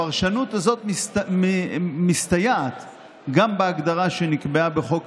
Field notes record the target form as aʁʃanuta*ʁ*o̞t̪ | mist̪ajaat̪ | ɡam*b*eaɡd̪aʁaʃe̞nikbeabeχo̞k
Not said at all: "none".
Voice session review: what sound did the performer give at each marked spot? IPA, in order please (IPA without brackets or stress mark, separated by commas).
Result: z, b